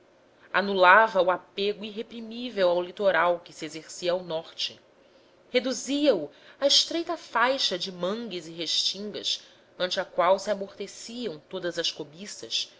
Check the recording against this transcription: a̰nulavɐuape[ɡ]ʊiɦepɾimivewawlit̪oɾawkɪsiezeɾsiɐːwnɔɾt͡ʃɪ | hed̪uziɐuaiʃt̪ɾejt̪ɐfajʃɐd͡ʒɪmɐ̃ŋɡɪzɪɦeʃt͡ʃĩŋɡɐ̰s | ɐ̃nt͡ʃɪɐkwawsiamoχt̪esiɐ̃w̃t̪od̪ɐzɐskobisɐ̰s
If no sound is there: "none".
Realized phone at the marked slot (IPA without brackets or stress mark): ɡ